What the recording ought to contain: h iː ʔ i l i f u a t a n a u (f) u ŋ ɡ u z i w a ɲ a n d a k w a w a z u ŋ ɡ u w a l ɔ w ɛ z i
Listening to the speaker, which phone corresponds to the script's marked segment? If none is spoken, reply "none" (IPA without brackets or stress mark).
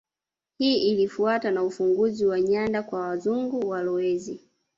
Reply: f